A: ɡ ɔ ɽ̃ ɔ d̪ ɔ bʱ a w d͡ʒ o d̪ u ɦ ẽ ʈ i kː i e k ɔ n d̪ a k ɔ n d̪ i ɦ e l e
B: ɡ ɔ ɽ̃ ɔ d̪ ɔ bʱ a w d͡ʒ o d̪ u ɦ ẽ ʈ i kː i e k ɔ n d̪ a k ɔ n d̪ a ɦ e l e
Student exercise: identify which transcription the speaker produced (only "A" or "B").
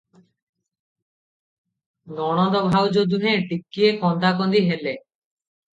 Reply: A